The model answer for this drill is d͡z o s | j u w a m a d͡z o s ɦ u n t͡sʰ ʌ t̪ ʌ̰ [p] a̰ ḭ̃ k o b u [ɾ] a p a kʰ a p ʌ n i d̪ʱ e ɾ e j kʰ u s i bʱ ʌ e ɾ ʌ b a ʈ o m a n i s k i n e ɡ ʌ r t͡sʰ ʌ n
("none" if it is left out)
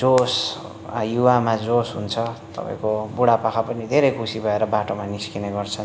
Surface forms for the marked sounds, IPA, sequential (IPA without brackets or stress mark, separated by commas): p, ɽ